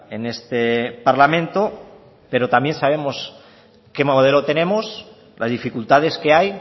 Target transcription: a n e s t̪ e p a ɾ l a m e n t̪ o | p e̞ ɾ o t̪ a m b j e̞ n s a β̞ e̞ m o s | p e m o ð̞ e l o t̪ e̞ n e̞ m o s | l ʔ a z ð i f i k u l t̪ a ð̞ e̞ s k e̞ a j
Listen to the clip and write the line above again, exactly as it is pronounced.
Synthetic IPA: e n e s t̪ e p a ɾ l a m ẽ n t̪ o | p e̞ ɾ o t̪ a m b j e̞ n s a β̞ e̞ m o s | k e m o ð̞ e l o t̪ e̞ n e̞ m o s | l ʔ a z ð i f i k u l t̪ a ð̞ e̞ s k e̞ a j

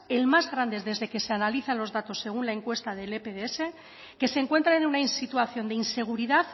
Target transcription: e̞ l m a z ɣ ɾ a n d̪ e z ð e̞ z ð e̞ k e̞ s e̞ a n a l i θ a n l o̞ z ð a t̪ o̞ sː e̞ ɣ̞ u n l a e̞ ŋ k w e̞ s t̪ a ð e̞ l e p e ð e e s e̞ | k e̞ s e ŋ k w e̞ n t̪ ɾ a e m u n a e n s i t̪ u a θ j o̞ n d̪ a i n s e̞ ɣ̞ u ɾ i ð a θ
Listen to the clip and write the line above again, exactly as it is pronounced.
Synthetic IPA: e̞ l m a z ɣ ɾ a n d̪ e z ð e̞ z ð e̞ k e̞ s e̞ a n a l i θ a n l o̞ z ð a t̪ o̞ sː e̞ ɣ̞ u n l a e̞ ŋ k w e̞ s t̪ a ð e̞ l e p e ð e e s e̞ | k e̞ s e ŋ k w e̞ n t̪ ɾ a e n u n a i n s i t̪ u a θ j o̞ n d̪ e i n s e̞ ɣ̞ u ɾ i ð a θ

